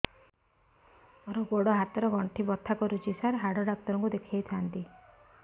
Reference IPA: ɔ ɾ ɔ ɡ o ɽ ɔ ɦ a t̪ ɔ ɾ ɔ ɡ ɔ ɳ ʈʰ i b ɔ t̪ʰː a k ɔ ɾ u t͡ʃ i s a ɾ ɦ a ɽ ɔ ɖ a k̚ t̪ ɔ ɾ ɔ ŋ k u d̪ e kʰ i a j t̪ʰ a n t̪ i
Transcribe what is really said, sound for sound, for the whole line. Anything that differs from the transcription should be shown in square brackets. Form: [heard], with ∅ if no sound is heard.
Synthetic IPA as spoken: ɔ ɾ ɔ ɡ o ɽ ɔ ɦ a t̪ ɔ ɾ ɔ ɡ ɔ ɳ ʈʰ i b ɔ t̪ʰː a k ɔ ɾ u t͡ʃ i s a ɾ ɦ a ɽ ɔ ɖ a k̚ t̪ ɔ ɾ ɔ ŋ k u d̪ e kʰ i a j t̪ʰ a n t̪ i